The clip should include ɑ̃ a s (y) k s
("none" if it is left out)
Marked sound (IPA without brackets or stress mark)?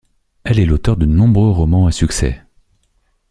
y